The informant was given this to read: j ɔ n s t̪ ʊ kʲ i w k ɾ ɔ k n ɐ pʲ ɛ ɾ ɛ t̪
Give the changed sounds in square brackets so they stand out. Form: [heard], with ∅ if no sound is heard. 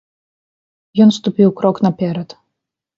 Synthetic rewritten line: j ɔ n s t̪ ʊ [pʲ] i w k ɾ ɔ k n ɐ pʲ ɛ ɾ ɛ t̪